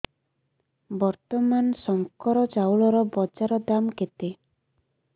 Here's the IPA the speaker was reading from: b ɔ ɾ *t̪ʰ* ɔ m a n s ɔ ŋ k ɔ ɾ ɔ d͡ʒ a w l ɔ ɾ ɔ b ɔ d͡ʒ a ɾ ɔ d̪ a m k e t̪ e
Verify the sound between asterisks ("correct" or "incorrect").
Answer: incorrect